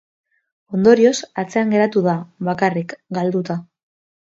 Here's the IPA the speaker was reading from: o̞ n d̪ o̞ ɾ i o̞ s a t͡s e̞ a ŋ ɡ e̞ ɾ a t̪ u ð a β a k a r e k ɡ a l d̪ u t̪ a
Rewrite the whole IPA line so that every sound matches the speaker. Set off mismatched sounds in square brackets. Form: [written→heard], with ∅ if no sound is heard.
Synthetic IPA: o̞ n d̪ o̞ ɾ i o̞ s a t͡s e̞ a ŋ ɡ e̞ ɾ a t̪ u ð a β a k a r [e→i] k ɡ a l d̪ u t̪ a